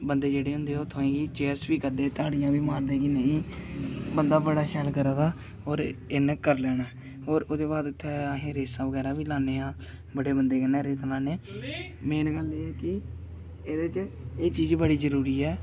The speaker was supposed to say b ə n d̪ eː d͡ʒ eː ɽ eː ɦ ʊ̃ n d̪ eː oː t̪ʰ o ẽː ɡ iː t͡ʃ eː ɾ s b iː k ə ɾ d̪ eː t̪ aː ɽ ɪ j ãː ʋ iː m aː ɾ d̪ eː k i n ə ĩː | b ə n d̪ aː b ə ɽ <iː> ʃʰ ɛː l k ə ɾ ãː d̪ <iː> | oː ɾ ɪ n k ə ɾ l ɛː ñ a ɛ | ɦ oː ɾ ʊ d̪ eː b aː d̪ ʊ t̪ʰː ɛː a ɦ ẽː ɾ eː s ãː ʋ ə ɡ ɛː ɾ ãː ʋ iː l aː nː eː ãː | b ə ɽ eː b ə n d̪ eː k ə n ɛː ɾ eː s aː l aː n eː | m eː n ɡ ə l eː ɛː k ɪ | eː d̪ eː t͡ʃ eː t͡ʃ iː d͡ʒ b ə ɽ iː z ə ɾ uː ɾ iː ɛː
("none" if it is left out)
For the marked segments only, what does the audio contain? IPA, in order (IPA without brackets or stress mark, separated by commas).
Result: aː, aː